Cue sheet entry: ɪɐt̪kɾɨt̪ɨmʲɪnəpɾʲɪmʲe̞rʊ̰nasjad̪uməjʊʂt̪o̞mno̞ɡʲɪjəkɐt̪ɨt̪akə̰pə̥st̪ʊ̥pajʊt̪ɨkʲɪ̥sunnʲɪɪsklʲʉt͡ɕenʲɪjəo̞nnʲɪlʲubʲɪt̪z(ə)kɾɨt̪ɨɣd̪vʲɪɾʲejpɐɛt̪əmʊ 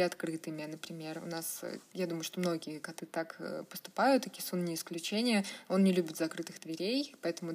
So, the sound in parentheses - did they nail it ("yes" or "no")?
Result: no